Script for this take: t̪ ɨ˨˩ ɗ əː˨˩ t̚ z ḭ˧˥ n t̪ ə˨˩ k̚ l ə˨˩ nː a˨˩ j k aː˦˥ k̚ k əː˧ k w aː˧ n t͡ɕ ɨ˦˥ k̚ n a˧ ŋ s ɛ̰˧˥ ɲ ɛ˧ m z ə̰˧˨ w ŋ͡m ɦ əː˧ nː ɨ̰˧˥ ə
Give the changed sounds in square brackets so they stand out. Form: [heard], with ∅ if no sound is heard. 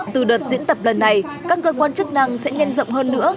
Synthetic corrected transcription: t̪ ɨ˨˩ ɗ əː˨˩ t̚ z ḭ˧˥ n t̪ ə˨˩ [p̚] l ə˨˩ nː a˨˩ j k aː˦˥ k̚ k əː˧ k w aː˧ n t͡ɕ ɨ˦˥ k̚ n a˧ ŋ s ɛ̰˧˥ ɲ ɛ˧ [n] z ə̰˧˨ w ŋ͡m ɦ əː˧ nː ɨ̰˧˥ ə